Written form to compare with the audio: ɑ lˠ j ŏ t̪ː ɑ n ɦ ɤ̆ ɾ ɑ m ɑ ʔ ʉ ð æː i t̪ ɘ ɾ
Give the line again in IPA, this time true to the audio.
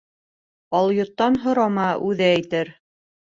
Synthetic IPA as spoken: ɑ lˠ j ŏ t̪ː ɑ n ɦ ŏ ɾ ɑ m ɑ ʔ ʉ ð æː j t̪ ɘ ɾ